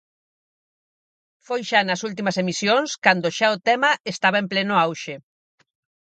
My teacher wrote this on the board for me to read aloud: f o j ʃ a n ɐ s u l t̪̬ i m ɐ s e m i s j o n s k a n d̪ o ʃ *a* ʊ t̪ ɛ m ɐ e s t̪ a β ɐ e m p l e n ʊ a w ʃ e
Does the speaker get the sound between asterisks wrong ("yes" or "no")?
no